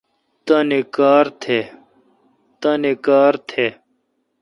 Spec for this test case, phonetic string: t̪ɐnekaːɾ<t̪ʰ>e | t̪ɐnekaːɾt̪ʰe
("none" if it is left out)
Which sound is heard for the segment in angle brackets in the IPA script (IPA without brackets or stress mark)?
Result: t̪ʰ